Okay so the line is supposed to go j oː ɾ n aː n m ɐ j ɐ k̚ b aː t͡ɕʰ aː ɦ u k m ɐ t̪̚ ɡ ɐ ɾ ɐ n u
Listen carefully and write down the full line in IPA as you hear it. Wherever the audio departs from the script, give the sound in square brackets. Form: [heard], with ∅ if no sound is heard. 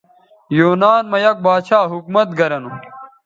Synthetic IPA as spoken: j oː [∅] n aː n m ɐ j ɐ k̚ b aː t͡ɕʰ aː ɦ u k m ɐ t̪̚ ɡ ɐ ɾ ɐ n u